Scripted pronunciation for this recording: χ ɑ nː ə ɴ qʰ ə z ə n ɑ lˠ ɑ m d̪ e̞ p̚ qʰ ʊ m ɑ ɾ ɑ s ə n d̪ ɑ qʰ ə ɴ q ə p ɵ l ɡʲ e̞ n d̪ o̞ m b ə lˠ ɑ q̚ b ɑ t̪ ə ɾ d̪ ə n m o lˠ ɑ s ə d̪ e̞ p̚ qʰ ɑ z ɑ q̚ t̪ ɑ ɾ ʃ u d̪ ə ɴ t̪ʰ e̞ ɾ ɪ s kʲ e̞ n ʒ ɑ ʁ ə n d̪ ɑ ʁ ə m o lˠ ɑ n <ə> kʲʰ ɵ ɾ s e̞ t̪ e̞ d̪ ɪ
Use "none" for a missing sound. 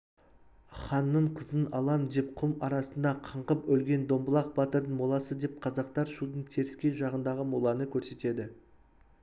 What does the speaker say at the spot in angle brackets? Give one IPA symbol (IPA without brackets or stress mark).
ə